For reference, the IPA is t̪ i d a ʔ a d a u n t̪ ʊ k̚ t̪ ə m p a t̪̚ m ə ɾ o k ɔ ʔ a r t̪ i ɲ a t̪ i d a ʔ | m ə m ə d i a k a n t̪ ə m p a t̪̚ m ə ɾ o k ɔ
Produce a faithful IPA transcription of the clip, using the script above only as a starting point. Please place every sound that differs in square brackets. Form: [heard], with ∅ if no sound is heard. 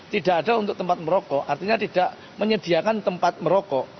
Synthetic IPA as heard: t̪ i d a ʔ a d a u n t̪ ʊ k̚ t̪ ə m p a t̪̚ m ə ɾ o k ɔ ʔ a r t̪ i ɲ a t̪ i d a ʔ | m ə [ɲ] ə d i a k a n t̪ ə m p a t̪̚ m ə ɾ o k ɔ